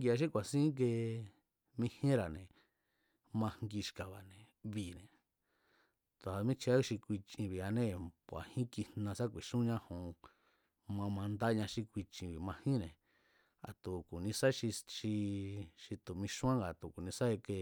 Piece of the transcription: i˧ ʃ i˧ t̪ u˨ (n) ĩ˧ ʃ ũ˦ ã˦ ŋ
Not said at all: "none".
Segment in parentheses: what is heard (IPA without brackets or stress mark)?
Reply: m